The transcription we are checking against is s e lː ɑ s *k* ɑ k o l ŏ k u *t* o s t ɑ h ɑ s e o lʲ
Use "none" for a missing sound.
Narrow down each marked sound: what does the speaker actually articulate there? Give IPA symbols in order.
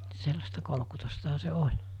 t, t

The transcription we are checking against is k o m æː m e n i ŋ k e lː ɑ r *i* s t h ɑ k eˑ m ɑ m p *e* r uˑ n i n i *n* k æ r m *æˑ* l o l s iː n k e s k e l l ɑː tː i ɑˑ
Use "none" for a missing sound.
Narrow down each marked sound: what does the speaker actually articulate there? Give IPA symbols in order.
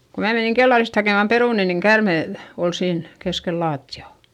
i, e, ŋ, eˑ

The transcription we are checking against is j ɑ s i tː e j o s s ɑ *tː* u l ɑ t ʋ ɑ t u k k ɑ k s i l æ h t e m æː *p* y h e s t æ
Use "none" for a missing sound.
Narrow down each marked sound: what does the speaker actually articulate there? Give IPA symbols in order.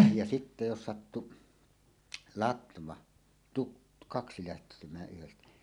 tː, ʔ

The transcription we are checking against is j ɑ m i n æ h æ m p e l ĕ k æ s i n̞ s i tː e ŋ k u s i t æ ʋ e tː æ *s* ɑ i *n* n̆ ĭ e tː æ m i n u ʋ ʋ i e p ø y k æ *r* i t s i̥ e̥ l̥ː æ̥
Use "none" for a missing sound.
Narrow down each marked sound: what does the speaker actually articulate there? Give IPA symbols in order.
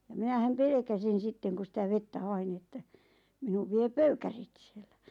h, n, r

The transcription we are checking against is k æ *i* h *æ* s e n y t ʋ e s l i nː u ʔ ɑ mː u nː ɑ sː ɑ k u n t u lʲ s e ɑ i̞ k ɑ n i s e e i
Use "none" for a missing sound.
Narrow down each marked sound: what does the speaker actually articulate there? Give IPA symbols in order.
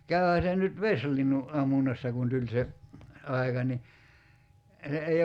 y, æ

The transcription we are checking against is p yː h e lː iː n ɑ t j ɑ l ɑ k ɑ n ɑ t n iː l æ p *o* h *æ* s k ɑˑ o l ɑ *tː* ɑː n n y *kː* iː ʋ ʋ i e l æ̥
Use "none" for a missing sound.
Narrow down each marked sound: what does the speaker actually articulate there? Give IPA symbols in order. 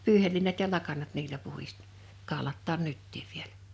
u, i, tː, tː

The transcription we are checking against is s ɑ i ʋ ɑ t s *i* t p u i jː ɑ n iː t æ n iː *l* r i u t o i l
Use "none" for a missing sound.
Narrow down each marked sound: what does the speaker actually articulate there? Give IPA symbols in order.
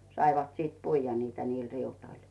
iː, l

